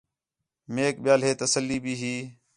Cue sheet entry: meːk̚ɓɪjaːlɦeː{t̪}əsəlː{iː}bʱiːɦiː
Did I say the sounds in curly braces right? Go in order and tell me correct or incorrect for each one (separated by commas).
correct, correct